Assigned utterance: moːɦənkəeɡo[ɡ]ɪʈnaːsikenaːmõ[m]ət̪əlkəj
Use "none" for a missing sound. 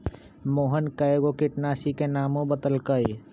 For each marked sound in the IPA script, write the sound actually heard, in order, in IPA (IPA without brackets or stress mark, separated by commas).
k, b